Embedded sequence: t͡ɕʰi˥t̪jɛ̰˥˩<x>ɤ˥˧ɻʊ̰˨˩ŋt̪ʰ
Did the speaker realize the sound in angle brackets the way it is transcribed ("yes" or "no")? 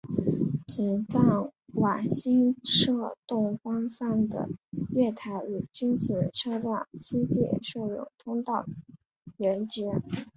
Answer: no